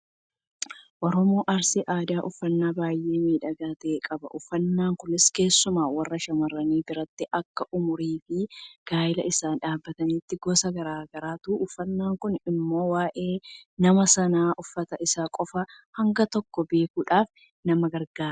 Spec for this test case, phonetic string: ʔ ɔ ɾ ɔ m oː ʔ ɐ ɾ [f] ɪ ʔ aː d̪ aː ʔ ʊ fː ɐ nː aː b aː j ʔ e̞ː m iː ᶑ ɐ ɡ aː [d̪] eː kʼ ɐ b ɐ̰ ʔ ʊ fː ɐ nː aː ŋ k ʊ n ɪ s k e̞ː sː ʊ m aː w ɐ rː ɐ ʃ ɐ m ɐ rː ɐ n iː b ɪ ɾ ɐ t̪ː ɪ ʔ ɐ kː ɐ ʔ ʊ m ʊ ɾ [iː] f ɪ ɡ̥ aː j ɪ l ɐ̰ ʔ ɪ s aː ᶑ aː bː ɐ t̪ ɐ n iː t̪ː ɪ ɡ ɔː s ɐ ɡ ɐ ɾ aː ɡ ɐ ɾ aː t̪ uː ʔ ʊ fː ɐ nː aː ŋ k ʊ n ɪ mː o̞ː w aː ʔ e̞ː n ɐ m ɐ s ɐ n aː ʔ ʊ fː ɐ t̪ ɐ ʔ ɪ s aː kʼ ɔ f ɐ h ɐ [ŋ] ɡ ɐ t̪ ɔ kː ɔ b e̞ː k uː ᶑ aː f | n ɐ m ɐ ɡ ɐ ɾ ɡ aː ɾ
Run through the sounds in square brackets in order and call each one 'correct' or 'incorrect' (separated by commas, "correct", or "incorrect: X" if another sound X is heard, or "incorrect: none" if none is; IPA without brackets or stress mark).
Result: incorrect: s, incorrect: t̪, correct, correct